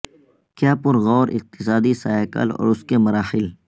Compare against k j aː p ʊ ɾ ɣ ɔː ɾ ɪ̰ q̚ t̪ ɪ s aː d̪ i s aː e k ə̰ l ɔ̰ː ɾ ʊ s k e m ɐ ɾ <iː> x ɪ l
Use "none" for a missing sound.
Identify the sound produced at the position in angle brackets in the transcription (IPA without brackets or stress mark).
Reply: aː